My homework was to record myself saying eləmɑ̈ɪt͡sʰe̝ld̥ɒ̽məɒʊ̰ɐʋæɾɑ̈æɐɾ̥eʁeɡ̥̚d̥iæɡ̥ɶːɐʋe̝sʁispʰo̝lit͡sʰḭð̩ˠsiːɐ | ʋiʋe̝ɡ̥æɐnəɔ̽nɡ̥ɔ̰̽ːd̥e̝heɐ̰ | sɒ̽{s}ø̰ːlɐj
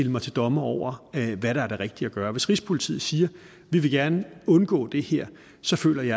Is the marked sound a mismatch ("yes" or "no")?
yes